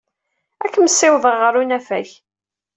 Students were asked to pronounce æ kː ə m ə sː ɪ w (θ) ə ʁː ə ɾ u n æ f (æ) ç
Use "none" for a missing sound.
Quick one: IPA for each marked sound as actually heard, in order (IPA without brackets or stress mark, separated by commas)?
ð, æ